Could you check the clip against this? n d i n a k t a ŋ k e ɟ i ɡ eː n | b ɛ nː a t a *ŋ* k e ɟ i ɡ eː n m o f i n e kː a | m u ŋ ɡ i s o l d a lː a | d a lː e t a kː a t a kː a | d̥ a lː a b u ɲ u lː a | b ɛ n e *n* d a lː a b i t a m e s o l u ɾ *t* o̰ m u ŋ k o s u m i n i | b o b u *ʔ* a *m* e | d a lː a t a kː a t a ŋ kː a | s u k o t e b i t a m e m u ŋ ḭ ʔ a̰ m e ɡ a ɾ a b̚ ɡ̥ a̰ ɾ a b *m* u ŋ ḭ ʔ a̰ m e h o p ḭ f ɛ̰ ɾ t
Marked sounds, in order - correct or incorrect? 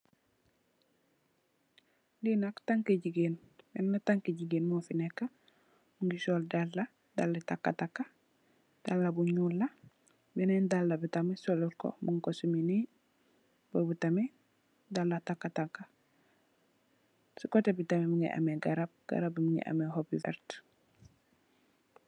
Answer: correct, correct, incorrect, incorrect, correct, correct

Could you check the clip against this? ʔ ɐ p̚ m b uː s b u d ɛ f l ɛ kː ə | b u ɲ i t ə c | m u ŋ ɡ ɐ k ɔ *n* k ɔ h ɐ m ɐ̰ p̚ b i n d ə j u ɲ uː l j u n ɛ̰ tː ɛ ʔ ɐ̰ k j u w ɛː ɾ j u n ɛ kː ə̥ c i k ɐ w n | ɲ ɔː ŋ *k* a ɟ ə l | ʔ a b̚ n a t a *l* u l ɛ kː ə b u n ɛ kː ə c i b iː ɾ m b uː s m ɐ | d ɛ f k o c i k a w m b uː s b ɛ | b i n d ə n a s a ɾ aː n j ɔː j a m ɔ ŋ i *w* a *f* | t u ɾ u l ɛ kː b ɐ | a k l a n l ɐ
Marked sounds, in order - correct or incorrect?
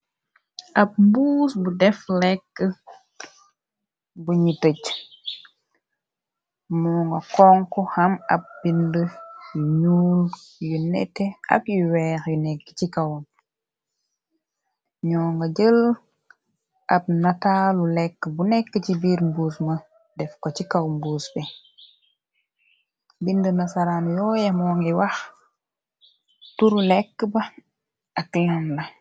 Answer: incorrect, incorrect, correct, correct, incorrect

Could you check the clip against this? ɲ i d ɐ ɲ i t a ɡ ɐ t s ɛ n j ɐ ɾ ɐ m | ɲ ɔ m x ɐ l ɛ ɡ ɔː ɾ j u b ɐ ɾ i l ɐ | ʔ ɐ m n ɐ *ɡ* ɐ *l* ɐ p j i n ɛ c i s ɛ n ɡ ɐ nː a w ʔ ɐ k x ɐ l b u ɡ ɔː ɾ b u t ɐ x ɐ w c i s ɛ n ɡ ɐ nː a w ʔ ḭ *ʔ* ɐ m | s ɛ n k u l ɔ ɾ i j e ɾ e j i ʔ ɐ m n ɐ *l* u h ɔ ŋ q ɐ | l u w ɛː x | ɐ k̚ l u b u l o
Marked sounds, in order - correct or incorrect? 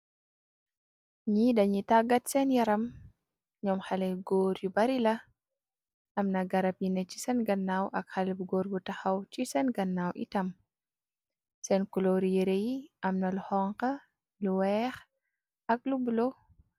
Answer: correct, incorrect, incorrect, correct

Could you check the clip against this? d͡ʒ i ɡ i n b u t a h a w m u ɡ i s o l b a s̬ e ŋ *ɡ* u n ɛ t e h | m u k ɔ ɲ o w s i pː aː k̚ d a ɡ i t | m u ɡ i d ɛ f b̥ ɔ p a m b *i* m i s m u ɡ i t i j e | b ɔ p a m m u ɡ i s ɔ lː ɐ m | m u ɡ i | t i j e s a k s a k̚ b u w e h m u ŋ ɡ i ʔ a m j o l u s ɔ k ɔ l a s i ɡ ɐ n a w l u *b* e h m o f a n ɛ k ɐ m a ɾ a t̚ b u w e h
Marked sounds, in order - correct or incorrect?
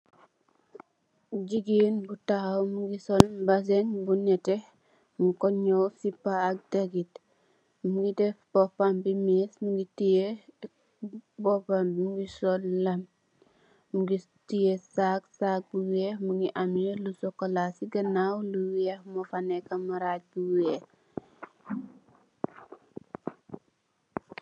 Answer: incorrect, correct, incorrect

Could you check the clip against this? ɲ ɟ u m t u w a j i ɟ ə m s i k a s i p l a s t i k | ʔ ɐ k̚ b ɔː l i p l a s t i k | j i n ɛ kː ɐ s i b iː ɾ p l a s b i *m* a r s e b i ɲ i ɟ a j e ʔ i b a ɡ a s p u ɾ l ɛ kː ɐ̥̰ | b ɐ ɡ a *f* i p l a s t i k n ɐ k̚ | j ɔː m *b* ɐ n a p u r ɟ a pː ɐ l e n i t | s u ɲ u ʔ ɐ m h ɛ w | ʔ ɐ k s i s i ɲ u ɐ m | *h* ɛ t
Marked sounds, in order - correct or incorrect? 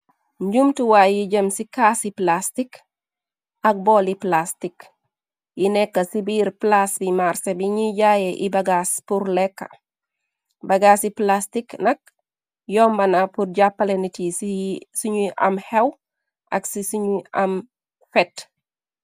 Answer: correct, incorrect, correct, incorrect

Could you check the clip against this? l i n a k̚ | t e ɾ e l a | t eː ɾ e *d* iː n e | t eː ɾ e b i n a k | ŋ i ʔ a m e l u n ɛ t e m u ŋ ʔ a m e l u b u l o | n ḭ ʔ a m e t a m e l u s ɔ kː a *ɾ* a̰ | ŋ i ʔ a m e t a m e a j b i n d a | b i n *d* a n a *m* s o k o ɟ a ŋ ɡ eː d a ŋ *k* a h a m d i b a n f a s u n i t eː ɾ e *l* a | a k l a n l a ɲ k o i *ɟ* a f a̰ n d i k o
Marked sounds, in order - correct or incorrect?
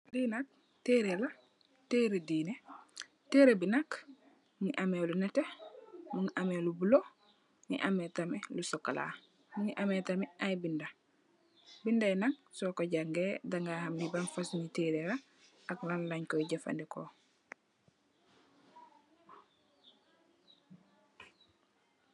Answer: correct, incorrect, correct, incorrect, incorrect, incorrect, correct

